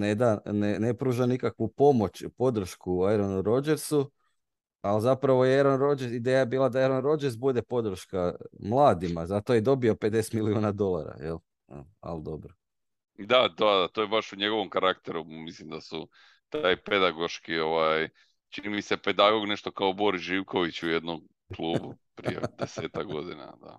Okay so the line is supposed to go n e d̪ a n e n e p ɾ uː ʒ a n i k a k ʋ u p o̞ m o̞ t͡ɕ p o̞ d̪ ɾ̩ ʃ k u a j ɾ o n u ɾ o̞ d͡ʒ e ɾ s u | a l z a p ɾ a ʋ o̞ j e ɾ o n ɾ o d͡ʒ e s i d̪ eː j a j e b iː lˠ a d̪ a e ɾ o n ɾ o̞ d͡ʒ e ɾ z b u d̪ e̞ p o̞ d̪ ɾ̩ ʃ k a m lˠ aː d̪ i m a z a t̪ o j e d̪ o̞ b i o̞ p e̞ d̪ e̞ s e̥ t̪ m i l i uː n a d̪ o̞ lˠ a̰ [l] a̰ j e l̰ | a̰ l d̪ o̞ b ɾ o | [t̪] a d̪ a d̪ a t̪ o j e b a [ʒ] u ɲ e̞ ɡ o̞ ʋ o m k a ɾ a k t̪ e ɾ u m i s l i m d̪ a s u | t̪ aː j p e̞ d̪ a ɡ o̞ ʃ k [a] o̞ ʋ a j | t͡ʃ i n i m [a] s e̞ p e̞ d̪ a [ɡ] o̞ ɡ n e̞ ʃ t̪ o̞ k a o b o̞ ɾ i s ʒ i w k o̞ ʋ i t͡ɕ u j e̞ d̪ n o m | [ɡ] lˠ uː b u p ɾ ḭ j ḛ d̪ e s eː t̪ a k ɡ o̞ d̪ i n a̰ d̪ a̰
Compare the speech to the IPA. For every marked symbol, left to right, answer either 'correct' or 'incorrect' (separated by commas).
incorrect, incorrect, incorrect, incorrect, incorrect, correct, incorrect